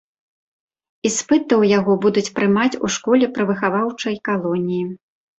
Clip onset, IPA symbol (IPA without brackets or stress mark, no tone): i